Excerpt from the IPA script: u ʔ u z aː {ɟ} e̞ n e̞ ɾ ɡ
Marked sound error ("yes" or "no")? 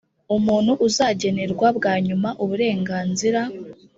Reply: no